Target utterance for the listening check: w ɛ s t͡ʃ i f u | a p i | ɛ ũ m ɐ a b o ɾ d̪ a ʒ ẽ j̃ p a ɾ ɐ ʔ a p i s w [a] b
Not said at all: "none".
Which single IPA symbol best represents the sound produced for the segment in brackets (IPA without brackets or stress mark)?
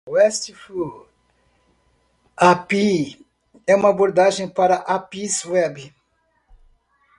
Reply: ɛ